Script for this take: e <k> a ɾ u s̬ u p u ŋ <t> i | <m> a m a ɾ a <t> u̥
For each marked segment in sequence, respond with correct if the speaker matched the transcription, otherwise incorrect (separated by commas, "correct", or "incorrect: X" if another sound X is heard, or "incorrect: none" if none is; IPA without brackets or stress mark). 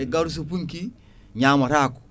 incorrect: ɡ, incorrect: k, incorrect: ɲ, incorrect: k